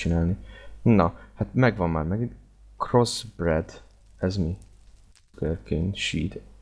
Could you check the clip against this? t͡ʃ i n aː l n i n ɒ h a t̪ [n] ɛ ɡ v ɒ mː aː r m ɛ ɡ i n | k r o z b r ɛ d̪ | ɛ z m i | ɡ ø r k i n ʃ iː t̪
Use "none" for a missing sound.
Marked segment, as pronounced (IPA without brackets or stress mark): m